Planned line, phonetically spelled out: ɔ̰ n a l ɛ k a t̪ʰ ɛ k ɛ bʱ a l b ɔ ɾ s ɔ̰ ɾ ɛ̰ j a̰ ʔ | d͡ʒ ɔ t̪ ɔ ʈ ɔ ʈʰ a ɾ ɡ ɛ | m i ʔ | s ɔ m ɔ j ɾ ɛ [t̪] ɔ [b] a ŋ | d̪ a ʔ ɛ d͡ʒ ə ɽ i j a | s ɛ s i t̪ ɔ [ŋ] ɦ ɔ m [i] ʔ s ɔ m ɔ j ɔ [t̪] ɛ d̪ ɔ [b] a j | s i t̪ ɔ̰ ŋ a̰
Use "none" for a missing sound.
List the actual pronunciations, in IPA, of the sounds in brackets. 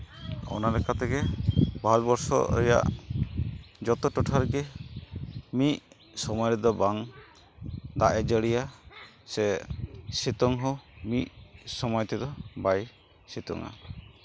d̪, b, ŋ, i, t̪, b

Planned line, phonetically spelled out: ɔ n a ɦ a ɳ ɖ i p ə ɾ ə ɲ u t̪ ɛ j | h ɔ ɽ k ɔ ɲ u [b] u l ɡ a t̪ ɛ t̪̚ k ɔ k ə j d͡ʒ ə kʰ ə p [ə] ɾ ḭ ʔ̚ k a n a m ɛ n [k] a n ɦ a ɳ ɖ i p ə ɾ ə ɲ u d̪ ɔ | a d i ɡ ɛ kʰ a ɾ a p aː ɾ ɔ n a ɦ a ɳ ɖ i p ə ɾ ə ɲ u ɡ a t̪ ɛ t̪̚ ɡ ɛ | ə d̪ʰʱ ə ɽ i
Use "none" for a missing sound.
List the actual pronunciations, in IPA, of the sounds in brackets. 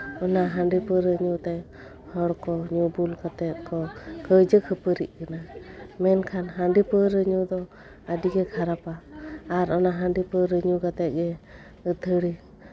b, ə, kʰ

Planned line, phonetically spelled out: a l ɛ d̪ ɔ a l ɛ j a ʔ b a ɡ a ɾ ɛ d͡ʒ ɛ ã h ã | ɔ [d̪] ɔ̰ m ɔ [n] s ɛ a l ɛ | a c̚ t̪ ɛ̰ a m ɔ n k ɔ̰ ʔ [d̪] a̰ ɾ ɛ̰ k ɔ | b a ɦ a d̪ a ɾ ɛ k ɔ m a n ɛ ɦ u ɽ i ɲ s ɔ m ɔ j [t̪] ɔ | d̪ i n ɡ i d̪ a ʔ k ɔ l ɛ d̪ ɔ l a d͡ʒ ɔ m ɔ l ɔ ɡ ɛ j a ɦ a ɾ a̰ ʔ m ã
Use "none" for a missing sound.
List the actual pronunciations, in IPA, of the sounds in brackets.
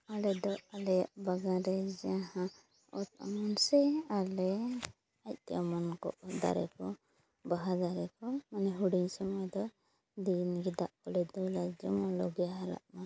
t̪, n, d̪, d̪

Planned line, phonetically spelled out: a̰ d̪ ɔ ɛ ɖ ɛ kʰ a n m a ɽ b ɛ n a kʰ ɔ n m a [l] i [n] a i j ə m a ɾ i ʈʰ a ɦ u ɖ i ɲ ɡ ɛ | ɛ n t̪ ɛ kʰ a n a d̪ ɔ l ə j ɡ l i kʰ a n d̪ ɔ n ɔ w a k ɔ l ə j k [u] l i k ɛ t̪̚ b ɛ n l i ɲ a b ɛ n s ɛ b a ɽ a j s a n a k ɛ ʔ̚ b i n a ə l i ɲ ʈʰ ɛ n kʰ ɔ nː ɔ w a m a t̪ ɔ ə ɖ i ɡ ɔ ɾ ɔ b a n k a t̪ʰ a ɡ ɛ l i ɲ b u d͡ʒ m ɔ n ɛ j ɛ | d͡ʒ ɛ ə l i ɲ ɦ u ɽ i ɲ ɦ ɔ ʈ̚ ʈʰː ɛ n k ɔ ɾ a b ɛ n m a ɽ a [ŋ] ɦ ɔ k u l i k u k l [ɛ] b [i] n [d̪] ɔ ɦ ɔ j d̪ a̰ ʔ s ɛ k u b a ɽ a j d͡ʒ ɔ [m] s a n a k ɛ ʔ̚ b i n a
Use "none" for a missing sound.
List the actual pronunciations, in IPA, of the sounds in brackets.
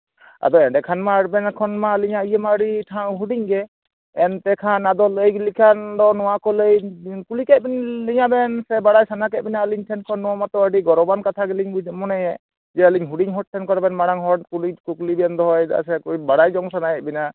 l, ɲ, u, ŋ, i, ɛ, d̪, ŋ

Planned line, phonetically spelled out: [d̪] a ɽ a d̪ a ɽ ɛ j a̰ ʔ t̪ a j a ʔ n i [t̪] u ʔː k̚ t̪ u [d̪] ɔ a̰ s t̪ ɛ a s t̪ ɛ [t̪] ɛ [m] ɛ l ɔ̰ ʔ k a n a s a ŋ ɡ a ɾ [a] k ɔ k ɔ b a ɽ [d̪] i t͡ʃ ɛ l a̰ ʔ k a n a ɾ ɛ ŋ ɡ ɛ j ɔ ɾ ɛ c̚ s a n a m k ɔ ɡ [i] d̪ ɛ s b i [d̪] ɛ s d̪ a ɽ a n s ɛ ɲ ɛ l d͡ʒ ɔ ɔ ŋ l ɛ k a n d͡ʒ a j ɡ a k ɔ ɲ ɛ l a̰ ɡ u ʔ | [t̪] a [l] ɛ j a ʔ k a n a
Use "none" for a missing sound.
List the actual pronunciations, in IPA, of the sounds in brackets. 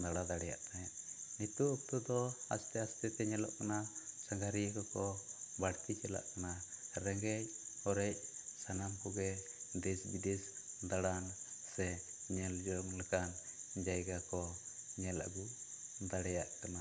d̪, t̪, d̪, t̪, ɲ, i, t̪, ɛ, d̪, d̪, ɽ

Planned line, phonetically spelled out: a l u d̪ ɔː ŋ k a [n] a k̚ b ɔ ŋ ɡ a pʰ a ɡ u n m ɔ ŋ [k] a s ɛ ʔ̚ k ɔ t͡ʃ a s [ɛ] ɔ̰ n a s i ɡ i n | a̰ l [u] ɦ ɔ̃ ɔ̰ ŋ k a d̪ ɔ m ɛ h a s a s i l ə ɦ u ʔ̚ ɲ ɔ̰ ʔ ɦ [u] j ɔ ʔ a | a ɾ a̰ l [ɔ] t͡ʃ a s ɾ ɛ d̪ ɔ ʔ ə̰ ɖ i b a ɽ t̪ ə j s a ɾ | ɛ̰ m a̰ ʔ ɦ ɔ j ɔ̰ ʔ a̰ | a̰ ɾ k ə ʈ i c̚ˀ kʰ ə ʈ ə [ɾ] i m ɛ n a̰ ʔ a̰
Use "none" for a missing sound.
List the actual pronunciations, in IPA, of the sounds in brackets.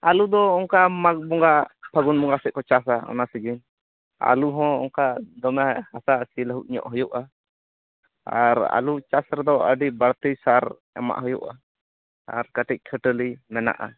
m, ɡ, a, u, ɔ, u, l

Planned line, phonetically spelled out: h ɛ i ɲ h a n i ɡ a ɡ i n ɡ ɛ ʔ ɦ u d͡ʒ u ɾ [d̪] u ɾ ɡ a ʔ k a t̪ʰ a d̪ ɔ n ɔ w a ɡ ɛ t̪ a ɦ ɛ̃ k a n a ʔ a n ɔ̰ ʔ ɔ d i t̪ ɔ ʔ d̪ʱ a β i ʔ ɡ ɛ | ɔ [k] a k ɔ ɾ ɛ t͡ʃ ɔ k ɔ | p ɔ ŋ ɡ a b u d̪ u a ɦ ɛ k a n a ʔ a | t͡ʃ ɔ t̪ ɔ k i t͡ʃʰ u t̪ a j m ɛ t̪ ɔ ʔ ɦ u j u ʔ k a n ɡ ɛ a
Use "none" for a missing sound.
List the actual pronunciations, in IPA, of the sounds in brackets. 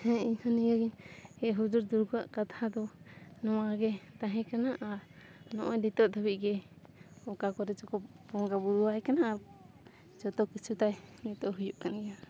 d̪, k

